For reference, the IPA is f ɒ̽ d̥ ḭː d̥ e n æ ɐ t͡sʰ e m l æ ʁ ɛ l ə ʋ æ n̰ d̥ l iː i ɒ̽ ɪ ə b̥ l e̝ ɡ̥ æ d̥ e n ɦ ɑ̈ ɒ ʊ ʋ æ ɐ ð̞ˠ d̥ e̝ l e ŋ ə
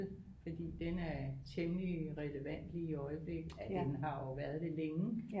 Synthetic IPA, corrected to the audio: f ɒ̽ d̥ ḭː d̥ e n æ ɐ t͡sʰ e m l i ʁ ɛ l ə ʋ æ n̰ d̥ l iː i ɒ̽ ɪ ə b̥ l e̝ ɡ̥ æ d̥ e n ɦ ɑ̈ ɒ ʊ ʋ æ ɐ ð̞ˠ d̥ e̝ l e ŋ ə